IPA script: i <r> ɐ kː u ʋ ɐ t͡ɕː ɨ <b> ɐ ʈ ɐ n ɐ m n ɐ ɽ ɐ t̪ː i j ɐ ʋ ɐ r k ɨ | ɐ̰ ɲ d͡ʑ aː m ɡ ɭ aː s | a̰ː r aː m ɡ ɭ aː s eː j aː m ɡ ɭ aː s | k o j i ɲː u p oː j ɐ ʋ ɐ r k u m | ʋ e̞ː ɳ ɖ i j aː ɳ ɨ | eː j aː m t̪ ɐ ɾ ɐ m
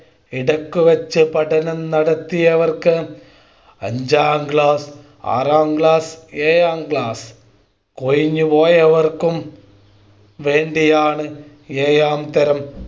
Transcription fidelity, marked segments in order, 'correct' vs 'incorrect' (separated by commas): incorrect, incorrect